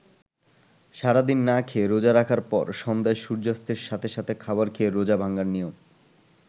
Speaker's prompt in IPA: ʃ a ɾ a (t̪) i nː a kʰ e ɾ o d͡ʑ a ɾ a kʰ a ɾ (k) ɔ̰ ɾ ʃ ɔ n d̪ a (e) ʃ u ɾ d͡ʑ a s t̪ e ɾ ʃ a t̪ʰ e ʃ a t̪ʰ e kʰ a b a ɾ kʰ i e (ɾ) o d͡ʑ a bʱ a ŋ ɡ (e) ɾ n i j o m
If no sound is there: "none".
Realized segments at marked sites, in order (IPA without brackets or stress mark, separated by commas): d̪, p, e, ɾ, a